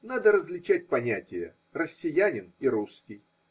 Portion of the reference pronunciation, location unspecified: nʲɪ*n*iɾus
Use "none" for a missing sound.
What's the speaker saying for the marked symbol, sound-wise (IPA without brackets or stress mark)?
n